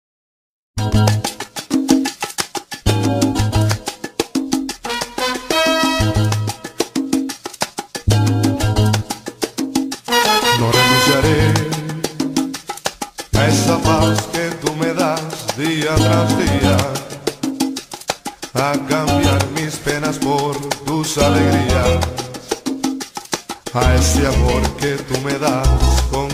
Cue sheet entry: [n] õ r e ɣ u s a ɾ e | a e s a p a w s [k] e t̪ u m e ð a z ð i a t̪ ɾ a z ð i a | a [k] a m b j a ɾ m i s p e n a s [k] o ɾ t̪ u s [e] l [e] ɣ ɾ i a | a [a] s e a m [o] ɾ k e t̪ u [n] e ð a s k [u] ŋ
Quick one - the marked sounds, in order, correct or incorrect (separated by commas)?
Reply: correct, correct, correct, incorrect, incorrect, correct, incorrect, correct, incorrect, incorrect